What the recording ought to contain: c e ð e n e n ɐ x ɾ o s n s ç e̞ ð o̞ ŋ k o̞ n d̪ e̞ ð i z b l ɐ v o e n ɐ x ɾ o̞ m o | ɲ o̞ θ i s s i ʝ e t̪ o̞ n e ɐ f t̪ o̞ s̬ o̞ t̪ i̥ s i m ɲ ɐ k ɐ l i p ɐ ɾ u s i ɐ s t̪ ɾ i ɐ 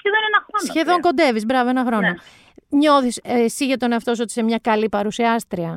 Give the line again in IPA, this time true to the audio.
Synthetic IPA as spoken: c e ð e n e n ɐ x ɾ o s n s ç e̞ ð o̞ ŋ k o̞ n d̪ e̞ v i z b ɾ ɐ v o e n ɐ x ɾ o̞ n o | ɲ o̞ θ i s s i ʝ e t̪ o̞ n e ɐ f t̪ o̞ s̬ o̞ t̪ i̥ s e m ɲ ɐ k ɐ l i p ɐ ɾ u s i ɐ s t̪ ɾ i ɐ